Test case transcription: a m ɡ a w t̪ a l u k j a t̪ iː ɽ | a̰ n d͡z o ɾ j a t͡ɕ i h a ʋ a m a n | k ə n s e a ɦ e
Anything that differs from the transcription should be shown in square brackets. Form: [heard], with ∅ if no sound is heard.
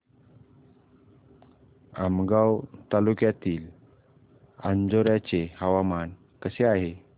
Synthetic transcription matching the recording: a m ɡ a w t̪ a l u k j a t̪ iː [l] | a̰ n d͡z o ɾ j a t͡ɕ [e] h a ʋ a m a n | k ə [∅] s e a ɦ e